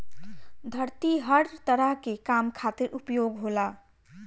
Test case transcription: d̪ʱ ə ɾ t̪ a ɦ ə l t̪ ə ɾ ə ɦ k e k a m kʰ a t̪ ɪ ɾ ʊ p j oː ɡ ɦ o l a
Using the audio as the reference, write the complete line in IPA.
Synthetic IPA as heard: d̪ʱ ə ɾ t̪ i ɦ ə ɾ t̪ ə ɾ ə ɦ k e k a m kʰ a t̪ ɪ ɾ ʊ p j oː ɡ ɦ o l a